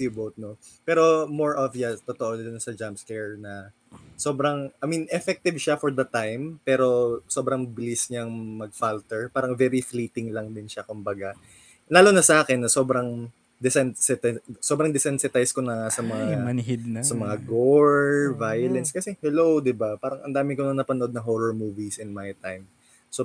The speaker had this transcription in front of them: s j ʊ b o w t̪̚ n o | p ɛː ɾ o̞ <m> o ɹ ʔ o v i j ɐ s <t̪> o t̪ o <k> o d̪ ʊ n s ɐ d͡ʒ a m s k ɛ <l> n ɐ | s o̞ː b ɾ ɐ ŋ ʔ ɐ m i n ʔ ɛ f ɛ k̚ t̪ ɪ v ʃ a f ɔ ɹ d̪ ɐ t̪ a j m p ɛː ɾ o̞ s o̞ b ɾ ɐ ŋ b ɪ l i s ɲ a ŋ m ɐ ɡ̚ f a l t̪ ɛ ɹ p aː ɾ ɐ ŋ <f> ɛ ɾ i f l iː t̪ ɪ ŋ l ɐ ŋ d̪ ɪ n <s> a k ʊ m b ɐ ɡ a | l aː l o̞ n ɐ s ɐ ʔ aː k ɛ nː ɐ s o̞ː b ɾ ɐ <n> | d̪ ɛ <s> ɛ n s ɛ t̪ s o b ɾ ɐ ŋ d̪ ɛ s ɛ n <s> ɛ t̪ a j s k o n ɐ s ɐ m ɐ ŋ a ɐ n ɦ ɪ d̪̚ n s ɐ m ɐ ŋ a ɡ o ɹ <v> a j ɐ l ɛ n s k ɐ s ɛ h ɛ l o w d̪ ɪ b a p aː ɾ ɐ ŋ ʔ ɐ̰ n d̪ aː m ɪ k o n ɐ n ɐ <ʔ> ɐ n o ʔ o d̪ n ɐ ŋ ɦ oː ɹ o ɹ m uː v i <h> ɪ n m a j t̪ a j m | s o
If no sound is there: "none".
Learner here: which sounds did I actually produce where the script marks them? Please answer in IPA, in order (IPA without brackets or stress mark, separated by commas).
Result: m, t̪, ʔ, ɹ, v, ʃ, ŋ, s, s, v, p, s